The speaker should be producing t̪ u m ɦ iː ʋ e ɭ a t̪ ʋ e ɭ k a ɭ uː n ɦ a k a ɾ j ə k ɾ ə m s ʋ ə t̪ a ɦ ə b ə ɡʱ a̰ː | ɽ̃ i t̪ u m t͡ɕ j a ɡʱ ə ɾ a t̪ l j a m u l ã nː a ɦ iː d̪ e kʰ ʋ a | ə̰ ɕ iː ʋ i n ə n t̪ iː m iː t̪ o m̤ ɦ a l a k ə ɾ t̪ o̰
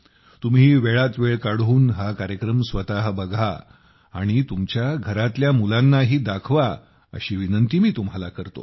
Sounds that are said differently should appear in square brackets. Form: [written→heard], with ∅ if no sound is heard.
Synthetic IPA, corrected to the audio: t̪ u m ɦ iː ʋ e ɭ a t̪ ʋ e ɭ k a [ɭ→ɽ] uː n ɦ a k a ɾ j ə k ɾ ə m s ʋ ə t̪ a ɦ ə b ə ɡʱ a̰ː | ɽ̃ i t̪ u m t͡ɕ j a ɡʱ ə ɾ a t̪ l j a m u l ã nː a ɦ iː d̪ [e→a] kʰ ʋ a | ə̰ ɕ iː ʋ i n ə n t̪ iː m iː t̪ [o→u] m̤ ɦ a l a k ə ɾ t̪ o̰

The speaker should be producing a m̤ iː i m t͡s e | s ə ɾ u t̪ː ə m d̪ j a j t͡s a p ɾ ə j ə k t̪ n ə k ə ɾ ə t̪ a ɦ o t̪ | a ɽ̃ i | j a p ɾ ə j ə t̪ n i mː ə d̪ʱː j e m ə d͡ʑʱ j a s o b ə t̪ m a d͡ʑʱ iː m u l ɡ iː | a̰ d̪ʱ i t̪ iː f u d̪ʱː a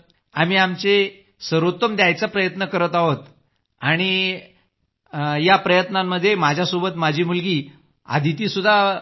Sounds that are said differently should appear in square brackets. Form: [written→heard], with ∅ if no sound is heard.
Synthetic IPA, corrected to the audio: a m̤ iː [i→a] m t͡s e | s ə ɾ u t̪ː ə m d̪ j a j t͡s a p ɾ ə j ə [k→∅] t̪ n ə k ə ɾ ə t̪ a ɦ o t̪ | a ɽ̃ i | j a p ɾ ə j ə t̪ n [i→a] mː ə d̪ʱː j e m [ə→a] d͡ʑʱ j a s o b ə t̪ m a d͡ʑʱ iː m u l ɡ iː | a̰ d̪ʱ i t̪ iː [f→s] u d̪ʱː a

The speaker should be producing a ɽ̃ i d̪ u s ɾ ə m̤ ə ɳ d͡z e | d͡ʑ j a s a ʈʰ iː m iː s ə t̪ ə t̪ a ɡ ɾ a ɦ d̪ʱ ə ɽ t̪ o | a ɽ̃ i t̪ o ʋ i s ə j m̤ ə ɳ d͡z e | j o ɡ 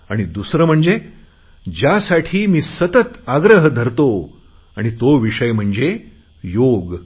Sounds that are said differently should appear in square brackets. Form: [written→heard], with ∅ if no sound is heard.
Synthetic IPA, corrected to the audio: a ɽ̃ i d̪ u s ɾ ə m̤ ə ɳ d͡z e | d͡ʑ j a s a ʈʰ iː m iː s ə t̪ ə t̪ a ɡ ɾ [a→ə] ɦ d̪ʱ ə [ɽ→ɾ] t̪ o | a ɽ̃ i t̪ o ʋ i [s→ʂ] ə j m̤ ə ɳ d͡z e | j o ɡ

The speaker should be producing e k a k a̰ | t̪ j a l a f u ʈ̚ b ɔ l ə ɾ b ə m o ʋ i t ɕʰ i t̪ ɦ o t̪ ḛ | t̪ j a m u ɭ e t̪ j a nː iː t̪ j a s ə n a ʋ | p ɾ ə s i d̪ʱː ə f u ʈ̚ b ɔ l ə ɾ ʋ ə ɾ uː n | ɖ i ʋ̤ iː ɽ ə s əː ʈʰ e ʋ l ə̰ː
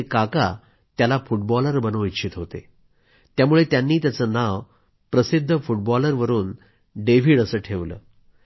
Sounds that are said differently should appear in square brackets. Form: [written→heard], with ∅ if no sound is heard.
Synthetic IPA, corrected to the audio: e k a k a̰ | t̪ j a l a f u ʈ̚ b ɔ l ə ɾ b ə [m→n] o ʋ i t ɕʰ i t̪ ɦ o t̪ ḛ | t̪ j a m u ɭ e t̪ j a nː iː t̪ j a [s→t͡s] ə n a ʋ | p ɾ ə s i d̪ʱː ə f u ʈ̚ b ɔ l ə ɾ ʋ ə ɾ uː n | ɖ [i→e] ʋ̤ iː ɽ ə s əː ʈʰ e ʋ l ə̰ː

